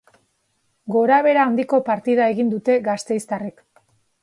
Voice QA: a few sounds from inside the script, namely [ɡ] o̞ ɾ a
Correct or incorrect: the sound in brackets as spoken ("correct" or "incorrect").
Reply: correct